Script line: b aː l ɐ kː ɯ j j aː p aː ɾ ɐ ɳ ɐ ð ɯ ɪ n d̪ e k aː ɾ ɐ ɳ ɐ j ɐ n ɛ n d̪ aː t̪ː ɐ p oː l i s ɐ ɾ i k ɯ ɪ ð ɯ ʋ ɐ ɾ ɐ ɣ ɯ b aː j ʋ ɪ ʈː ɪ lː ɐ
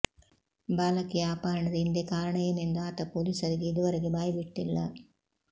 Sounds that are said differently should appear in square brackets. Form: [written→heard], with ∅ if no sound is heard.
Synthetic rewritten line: b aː l ɐ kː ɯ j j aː p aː ɾ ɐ ɳ ɐ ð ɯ ɪ n d̪ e k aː ɾ ɐ ɳ ɐ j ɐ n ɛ n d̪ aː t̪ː ɐ p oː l i s ɐ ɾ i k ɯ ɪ ð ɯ ʋ ɐ ɾ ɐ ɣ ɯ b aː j ʋ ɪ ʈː ɪ lː ɐ

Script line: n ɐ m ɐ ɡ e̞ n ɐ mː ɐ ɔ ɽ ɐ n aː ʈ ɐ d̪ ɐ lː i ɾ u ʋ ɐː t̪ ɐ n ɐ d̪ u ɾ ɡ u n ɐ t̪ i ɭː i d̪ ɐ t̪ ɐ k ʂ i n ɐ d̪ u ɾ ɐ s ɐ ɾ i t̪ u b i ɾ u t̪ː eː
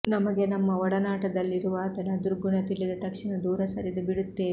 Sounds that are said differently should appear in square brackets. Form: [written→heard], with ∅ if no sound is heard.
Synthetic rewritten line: n ɐ m ɐ ɡ e̞ n ɐ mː ɐ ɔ ɽ ɐ n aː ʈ ɐ d̪ ɐ lː i ɾ u ʋ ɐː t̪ ɐ n ɐ d̪ u ɾ ɡ u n ɐ t̪ i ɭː i d̪ ɐ t̪ ɐ k ʂ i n ɐ d̪ [u→uː] ɾ ɐ s ɐ ɾ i [t̪→d̪] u b i [ɾ→ɽ] u t̪ː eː

